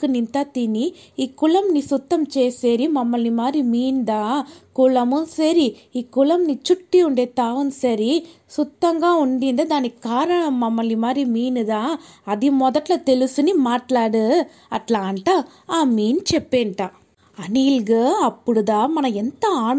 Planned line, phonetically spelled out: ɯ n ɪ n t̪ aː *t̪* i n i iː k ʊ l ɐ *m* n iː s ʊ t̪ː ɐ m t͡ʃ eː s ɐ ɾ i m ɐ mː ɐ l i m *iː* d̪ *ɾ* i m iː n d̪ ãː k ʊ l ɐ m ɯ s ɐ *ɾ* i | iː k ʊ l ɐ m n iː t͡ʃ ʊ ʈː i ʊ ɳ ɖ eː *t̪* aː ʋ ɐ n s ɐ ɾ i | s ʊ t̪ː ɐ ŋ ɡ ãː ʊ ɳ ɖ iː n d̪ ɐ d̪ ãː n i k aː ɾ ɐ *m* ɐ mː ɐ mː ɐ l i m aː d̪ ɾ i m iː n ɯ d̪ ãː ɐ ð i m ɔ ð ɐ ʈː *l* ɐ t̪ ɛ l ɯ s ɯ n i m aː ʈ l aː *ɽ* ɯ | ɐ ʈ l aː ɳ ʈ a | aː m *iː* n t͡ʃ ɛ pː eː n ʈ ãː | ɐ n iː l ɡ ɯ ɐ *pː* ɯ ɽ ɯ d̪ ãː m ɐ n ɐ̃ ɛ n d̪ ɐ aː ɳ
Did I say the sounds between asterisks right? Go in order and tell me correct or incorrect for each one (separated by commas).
correct, correct, incorrect, correct, correct, correct, incorrect, correct, correct, correct, correct